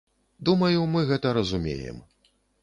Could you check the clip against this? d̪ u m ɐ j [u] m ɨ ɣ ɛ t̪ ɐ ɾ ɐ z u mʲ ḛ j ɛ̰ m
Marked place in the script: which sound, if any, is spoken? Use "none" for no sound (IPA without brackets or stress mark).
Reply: u